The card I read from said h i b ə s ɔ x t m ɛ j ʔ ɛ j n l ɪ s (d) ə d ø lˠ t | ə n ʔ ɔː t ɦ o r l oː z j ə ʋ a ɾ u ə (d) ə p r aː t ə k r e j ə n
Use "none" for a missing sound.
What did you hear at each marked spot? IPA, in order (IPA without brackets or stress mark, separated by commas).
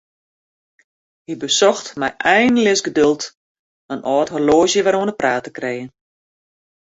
ɡ, n